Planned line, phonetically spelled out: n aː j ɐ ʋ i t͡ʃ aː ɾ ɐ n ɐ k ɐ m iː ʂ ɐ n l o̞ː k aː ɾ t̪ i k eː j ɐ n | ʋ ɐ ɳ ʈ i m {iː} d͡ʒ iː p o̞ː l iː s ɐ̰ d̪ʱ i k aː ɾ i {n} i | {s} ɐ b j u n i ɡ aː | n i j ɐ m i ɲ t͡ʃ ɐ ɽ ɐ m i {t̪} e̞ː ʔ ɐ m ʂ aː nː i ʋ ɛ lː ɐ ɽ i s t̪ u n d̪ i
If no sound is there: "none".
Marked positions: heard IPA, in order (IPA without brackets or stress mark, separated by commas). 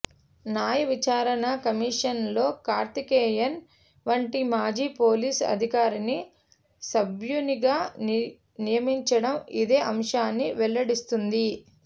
aː, n, s, d̪